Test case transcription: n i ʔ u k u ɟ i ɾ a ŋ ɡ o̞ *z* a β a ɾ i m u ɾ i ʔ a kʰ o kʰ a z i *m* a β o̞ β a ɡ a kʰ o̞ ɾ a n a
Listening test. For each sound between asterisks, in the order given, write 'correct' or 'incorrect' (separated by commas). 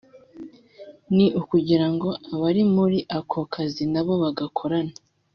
incorrect, incorrect